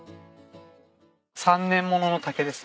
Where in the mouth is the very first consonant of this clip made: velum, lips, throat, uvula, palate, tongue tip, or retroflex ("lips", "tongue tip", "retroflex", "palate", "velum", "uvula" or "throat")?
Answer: tongue tip